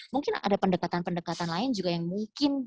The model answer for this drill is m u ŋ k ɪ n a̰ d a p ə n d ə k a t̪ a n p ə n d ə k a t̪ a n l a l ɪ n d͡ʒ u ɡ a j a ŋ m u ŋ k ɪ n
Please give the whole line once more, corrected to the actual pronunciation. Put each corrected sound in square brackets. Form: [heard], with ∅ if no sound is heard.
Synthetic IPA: m u ŋ k ɪ n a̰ d a p ə n d ə k a t̪ a n p ə n d ə k a t̪ a n l a [∅] ɪ n d͡ʒ u ɡ a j a ŋ m u ŋ k ɪ n